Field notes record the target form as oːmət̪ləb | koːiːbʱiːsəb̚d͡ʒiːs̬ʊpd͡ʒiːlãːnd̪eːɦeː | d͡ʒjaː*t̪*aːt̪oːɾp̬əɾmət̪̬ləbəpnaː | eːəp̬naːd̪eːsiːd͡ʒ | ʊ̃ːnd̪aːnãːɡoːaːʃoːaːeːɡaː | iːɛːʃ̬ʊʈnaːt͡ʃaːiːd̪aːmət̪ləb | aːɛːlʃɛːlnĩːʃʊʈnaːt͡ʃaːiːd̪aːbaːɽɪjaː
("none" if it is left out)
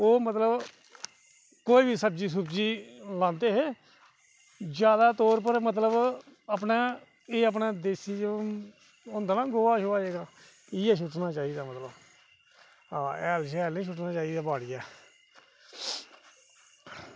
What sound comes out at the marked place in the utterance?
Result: d̪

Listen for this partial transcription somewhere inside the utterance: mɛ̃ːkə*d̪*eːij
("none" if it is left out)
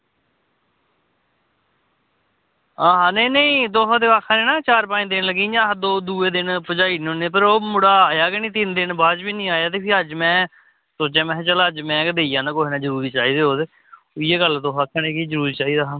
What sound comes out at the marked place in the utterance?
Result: d̪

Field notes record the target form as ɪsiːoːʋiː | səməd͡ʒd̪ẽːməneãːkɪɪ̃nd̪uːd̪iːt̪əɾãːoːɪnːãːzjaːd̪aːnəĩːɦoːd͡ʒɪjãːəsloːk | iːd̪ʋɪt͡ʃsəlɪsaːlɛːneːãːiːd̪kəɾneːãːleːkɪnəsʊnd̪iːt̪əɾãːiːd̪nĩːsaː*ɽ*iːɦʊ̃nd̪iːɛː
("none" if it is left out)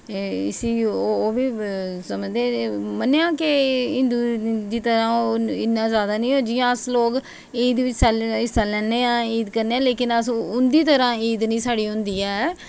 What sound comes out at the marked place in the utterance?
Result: ɽ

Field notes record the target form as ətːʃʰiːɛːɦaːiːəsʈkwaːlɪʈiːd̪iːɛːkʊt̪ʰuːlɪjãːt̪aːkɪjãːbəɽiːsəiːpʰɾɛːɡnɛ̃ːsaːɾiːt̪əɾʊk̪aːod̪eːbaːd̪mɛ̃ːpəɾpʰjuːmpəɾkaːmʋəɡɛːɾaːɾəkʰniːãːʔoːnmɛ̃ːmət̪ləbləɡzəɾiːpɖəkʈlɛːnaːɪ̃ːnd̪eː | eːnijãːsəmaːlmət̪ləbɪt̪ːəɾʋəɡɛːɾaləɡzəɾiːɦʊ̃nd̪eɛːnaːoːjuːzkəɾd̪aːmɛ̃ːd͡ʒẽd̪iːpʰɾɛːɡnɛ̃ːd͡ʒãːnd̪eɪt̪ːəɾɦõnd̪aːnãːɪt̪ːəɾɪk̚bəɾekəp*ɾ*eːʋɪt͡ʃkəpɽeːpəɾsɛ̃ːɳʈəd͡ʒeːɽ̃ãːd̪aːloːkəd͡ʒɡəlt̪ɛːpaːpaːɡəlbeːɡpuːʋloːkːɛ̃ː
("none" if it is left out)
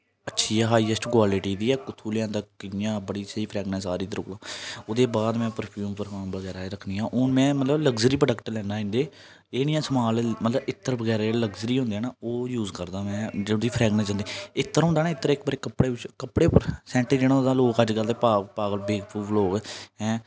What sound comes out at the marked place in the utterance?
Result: ɽ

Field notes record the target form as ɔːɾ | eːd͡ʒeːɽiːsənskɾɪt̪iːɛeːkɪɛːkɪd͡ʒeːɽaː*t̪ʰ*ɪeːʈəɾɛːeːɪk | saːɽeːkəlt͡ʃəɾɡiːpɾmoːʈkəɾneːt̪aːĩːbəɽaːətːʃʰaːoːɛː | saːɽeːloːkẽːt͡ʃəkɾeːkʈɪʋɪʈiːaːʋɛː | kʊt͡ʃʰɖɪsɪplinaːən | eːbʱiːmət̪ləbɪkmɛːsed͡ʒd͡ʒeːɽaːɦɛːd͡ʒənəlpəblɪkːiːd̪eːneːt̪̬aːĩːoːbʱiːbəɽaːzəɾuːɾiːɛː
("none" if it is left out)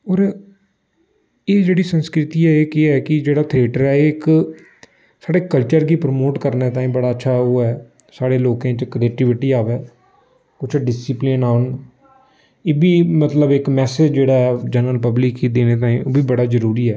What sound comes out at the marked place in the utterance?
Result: t̪ʰ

